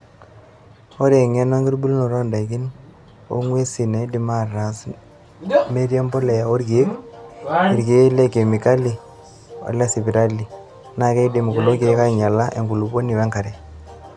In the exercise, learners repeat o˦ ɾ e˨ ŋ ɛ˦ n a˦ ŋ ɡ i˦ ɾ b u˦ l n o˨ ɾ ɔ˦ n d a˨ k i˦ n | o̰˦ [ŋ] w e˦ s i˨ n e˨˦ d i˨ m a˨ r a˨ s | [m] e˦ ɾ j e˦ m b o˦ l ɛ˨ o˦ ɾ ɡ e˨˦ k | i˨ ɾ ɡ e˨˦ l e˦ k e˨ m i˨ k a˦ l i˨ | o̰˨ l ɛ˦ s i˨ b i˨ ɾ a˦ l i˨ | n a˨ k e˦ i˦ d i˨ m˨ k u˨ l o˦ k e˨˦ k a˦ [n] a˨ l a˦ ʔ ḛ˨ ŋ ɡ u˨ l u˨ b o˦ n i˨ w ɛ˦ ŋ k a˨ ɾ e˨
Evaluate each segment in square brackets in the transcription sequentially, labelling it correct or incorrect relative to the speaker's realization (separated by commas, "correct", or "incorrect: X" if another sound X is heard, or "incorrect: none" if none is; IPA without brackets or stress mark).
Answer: correct, correct, incorrect: ɲ